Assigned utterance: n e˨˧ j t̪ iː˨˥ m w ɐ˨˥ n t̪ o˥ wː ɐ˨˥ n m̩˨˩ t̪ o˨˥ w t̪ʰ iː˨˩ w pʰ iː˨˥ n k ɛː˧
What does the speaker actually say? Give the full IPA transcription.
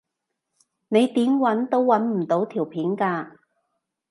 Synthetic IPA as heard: n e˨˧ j t̪ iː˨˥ m w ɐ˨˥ n t̪ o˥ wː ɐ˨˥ n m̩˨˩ t̪ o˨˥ w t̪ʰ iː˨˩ w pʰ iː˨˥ n k aː˧

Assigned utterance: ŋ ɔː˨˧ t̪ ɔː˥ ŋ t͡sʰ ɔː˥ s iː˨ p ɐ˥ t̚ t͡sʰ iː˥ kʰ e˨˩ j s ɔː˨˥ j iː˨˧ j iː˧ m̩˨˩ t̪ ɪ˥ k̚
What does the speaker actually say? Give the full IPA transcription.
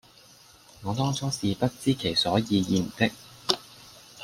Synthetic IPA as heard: ŋ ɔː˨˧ t̪ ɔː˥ ŋ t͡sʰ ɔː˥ s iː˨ p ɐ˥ t̚ t͡s iː˥ kʰ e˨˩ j s ɔː˨˥ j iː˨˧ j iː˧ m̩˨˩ t̪ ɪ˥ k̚

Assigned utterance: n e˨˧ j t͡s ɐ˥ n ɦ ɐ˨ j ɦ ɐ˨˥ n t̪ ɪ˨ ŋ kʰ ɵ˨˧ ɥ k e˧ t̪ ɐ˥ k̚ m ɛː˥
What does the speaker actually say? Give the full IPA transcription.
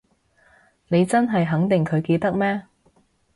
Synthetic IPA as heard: n e˨˧ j t͡s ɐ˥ n ɦ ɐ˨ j ɦ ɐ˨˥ ŋ t̪ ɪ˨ ŋ kʰ ɵ˨˧ ɥ k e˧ t̪ ɐ˥ k̚ m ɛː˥

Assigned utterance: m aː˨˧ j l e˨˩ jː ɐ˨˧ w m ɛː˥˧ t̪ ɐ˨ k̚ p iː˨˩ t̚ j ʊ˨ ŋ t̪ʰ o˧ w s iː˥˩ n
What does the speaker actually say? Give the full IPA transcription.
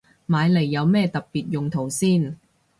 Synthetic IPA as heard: m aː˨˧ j l e˨˩ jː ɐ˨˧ w m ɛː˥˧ t̪ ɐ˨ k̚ p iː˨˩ t̚ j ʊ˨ ŋ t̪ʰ o˨˩ w s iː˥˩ n

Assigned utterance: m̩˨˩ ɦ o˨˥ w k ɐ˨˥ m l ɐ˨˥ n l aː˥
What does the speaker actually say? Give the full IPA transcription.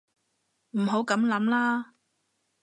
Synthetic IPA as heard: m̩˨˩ ɦ o˨˥ w k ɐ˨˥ m l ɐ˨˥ m l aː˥

